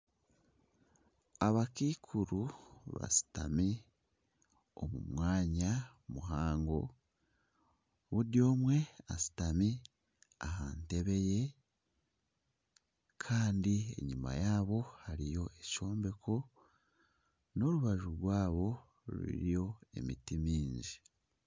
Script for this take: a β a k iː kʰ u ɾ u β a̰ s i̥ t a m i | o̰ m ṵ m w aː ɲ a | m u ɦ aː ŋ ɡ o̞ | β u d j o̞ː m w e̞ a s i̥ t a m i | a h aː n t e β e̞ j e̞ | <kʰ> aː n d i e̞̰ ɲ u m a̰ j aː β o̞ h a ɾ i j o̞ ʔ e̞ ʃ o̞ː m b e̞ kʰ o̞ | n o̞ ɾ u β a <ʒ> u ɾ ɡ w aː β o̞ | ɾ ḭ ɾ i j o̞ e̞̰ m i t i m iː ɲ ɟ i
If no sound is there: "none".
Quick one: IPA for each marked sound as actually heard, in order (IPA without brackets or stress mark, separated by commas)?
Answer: kʰ, ʒ